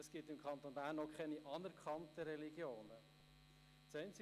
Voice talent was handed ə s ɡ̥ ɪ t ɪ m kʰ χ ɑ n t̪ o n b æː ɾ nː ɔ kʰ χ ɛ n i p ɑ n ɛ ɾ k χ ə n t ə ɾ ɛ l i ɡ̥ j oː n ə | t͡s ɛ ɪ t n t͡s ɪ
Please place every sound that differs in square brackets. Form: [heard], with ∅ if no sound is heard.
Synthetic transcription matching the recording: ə s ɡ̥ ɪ t ɪ m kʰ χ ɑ n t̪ o n b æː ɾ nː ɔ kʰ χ ɛ n i [ʔ] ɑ n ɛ ɾ k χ [ɑ] n t ə ɾ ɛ l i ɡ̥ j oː n ə | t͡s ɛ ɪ [∅] n t͡s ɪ